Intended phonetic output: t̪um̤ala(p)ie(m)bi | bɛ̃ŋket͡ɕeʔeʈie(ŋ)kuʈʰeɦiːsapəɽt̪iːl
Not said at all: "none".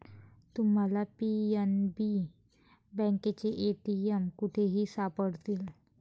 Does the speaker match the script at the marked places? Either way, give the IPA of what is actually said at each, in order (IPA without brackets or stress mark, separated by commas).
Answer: p, n, m